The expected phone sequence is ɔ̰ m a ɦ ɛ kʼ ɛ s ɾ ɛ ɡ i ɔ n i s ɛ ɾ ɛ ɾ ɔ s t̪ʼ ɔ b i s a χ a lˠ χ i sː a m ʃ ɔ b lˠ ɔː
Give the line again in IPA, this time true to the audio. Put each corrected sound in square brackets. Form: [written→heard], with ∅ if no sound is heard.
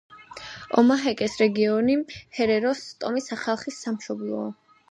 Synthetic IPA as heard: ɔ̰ m a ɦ ɛ kʼ ɛ s ɾ ɛ ɡ i ɔ n i [s→h] ɛ ɾ ɛ ɾ ɔ s t̪ʼ ɔ [b→m] i s a χ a lˠ χ i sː a m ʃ ɔ b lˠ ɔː

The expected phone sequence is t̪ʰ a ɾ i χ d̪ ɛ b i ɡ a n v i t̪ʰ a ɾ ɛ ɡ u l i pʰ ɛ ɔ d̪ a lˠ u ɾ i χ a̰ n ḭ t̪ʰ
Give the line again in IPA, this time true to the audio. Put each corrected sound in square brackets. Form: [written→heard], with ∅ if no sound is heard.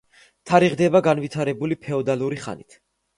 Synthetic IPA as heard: t̪ʰ a ɾ i [χ→ʁ] d̪ ɛ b [i→a] ɡ a n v i t̪ʰ a ɾ ɛ [ɡ→b] u l i pʰ ɛ ɔ d̪ a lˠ u ɾ i χ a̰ n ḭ t̪ʰ

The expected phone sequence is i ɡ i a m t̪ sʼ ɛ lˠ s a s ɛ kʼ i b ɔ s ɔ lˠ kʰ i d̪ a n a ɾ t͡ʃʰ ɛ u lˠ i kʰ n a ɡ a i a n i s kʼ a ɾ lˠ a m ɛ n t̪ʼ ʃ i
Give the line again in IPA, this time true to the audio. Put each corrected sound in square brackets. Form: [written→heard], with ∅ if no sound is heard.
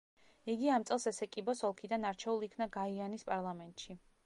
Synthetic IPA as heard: i ɡ i a m t̪ sʼ ɛ lˠ s [a→ɛ] s ɛ kʼ i b ɔ s ɔ lˠ kʰ i d̪ a n a ɾ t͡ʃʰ ɛ u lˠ i kʰ n a ɡ a i a n i s [kʼ→pʼ] a ɾ lˠ a m ɛ n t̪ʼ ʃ i

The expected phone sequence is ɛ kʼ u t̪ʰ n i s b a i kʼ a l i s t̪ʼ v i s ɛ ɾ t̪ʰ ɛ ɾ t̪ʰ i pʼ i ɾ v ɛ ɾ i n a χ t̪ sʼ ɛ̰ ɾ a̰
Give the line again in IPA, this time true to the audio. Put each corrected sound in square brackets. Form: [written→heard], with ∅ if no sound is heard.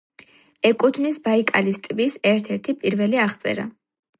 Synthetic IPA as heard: ɛ kʼ u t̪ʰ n i s b a i kʼ a l i s t̪ʼ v i s ɛ ɾ t̪ʰ ɛ ɾ t̪ʰ i pʼ i ɾ v ɛ [ɾ→l] i [n→∅] a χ t̪ sʼ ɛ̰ ɾ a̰

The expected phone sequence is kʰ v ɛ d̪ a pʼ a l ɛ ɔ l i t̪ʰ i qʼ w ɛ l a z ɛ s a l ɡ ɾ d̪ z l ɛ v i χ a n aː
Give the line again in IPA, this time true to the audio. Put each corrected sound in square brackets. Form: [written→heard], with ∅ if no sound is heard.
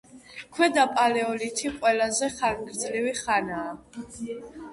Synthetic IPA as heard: kʰ [v→w] ɛ d̪ a pʼ a l ɛ ɔ l i t̪ʰ i qʼ w ɛ l a z ɛ [s→χ] a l ɡ ɾ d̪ z l [ɛ→i] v i χ a n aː

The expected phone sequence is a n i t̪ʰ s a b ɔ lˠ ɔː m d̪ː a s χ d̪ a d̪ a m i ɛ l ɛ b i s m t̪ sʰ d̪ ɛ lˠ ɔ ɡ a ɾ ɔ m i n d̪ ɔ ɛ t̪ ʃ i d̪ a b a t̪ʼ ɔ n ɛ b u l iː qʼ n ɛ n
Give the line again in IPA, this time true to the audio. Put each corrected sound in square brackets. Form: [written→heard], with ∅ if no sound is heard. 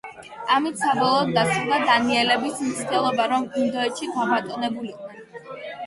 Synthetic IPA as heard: a [n→m] i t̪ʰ s a b ɔ lˠ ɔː [m→∅] d̪ː a s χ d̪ a d̪ a [m→n] i ɛ l ɛ b i s m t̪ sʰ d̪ ɛ lˠ ɔ [ɡ→b] a ɾ ɔ m i n d̪ ɔ ɛ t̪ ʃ i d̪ a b a t̪ʼ ɔ n ɛ b u l [iː→i] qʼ n ɛ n

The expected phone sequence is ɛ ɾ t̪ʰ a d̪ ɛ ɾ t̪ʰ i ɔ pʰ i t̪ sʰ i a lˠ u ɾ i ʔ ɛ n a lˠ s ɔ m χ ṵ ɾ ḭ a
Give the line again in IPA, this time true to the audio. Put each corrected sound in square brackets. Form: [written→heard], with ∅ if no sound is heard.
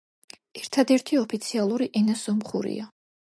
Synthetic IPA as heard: ɛ ɾ t̪ʰ a d̪ ɛ ɾ t̪ʰ i ɔ pʰ i t̪ sʰ i a lˠ u ɾ i ʔ ɛ n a [lˠ→∅] s ɔ m χ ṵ ɾ ḭ a

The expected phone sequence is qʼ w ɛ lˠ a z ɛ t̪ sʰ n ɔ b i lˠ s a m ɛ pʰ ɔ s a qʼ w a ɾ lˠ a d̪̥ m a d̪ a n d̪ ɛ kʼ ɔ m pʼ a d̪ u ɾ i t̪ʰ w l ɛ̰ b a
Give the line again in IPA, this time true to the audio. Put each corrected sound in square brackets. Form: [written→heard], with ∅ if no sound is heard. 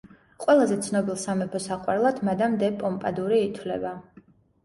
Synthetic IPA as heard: qʼ w ɛ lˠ a z ɛ t̪ sʰ n ɔ b i lˠ s a m ɛ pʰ ɔ s a qʼ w a ɾ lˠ a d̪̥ m a d̪ a [n→m] d̪ ɛ [kʼ→pʼ] ɔ m pʼ a d̪ u ɾ [i→iː] t̪ʰ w l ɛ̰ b a

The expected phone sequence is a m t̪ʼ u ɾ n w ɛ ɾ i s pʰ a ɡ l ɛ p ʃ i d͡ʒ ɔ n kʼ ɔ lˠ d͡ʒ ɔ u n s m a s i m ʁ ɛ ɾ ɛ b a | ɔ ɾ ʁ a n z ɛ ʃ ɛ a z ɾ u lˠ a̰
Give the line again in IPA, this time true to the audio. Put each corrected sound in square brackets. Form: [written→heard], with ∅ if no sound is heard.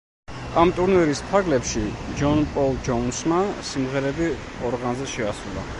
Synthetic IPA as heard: a m t̪ʼ u ɾ n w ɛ ɾ i s pʰ a ɡ l ɛ p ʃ i d͡ʒ ɔ n [kʼ→pʼ] ɔ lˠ d͡ʒ ɔ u n s m a s i m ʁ ɛ ɾ ɛ b [a→i] | ɔ ɾ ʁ a n z ɛ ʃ ɛ a [z→s] ɾ u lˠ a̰

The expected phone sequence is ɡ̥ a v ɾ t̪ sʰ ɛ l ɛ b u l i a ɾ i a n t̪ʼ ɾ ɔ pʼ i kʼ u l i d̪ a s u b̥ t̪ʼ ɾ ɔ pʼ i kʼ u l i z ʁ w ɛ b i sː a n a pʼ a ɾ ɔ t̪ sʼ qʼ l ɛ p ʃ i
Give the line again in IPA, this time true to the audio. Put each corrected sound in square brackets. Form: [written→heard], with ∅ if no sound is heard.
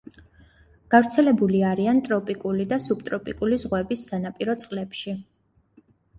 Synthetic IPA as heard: ɡ̥ a v ɾ t̪ sʰ ɛ l ɛ b u l i a ɾ i a n t̪ʼ ɾ ɔ pʼ i kʼ u l i d̪ a s u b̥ t̪ʼ ɾ ɔ pʼ i kʼ u l i z ʁ w ɛ b i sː a n a pʼ [a→i] ɾ ɔ t̪ sʼ qʼ l ɛ p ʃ i

